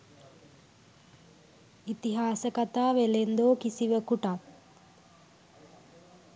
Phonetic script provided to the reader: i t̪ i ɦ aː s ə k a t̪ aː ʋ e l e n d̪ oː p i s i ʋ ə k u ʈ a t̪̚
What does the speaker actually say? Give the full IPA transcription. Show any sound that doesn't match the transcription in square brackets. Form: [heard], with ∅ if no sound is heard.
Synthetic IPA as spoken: i t̪ i ɦ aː s ə k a t̪ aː ʋ e l e n d̪ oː [k] i s i ʋ ə k u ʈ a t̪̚